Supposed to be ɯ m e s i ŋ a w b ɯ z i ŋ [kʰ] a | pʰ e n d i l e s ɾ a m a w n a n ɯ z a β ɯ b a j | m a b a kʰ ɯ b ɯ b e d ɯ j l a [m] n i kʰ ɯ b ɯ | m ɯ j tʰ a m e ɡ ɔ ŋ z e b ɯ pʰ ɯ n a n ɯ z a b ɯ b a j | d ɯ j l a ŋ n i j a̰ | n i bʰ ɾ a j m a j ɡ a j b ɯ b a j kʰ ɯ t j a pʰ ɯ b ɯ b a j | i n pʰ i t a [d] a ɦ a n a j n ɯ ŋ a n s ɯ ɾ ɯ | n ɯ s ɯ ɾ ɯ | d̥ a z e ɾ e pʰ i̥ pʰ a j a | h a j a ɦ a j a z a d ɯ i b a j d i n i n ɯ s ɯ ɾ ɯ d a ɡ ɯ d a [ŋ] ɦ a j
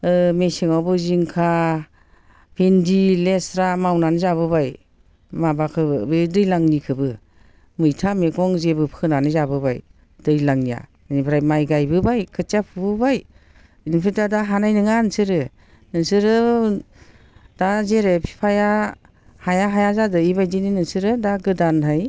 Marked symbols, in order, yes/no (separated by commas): yes, no, yes, no